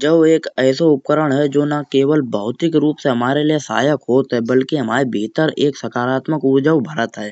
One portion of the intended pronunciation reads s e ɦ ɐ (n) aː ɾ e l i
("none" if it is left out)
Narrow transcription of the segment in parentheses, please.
m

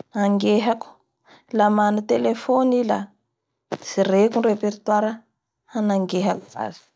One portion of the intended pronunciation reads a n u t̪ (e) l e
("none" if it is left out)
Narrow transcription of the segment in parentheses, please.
e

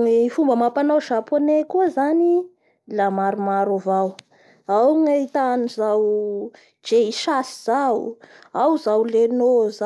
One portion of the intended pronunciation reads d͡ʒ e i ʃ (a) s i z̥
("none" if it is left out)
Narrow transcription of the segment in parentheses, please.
a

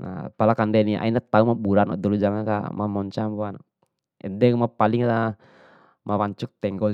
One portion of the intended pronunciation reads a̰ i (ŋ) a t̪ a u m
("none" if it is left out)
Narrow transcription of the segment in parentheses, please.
n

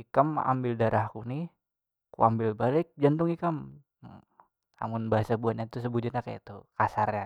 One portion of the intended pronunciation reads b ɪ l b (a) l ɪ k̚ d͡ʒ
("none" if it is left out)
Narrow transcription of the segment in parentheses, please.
a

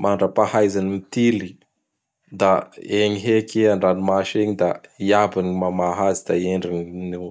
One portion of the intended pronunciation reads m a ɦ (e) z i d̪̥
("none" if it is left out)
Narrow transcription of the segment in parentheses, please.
a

